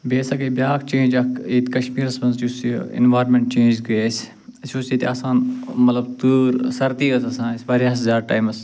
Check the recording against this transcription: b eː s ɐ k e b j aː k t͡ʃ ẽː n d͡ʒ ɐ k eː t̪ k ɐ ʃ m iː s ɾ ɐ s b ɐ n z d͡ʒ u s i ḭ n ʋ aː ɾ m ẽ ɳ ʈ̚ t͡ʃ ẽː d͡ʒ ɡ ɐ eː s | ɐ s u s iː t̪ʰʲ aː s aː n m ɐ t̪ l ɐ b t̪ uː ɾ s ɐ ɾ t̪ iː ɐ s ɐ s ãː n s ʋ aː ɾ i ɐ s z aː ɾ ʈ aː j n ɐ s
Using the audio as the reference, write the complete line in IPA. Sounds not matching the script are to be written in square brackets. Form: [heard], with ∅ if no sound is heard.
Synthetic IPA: b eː s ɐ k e b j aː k t͡ʃ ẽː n d͡ʒ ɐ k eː t̪ k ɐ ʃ m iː [∅] ɾ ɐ s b ɐ n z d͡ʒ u s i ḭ n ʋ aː ɾ m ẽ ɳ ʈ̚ t͡ʃ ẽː d͡ʒ ɡ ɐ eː s | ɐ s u s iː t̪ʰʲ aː s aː n m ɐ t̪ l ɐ b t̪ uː ɾ s ɐ ɾ t̪ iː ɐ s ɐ s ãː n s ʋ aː ɾ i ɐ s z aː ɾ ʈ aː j [m] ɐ s